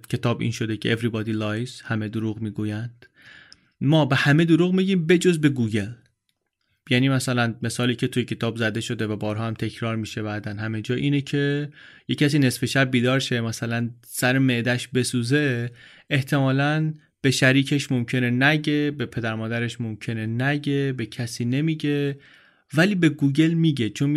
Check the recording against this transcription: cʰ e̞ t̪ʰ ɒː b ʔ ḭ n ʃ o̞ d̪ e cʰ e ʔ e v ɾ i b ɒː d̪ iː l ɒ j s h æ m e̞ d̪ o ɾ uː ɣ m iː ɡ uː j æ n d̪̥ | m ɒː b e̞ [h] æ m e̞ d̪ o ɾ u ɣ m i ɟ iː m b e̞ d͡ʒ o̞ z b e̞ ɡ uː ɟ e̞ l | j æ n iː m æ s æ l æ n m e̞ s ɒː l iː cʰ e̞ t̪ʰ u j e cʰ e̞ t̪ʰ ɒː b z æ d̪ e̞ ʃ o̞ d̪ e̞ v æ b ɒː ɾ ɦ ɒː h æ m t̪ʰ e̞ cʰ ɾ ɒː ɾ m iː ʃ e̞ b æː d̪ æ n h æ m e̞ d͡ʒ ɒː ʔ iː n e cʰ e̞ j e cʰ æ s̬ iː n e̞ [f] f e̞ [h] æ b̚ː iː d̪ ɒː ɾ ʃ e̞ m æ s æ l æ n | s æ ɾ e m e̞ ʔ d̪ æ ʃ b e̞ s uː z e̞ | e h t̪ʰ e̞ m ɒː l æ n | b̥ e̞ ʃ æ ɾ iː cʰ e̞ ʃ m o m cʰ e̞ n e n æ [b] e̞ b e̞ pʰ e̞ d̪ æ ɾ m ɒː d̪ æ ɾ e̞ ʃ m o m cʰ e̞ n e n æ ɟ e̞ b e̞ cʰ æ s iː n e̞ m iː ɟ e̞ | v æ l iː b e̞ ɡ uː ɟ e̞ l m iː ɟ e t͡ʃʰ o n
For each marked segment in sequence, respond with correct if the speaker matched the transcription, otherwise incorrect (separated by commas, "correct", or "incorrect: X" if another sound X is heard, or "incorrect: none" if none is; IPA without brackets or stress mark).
correct, incorrect: s, incorrect: ʃ, incorrect: ɟ